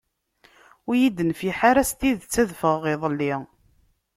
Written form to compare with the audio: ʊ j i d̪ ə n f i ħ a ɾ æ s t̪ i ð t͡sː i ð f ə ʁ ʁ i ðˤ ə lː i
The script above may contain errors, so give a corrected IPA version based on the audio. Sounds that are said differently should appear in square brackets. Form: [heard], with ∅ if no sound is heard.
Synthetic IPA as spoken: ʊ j i d̪ ə n f i ħ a ɾ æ s t̪ i ð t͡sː [æ] ð f ə ʁ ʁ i ðˤ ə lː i